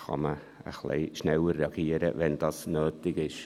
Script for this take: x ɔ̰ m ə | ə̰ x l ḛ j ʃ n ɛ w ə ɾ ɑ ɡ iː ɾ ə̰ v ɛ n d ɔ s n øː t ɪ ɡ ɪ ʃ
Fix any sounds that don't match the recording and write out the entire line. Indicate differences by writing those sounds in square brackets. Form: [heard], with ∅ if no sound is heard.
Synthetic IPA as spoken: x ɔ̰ m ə | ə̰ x l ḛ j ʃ n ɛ w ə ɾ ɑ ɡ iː ɾ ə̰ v ɛ n d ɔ s n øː t ɪ ɡ ɪ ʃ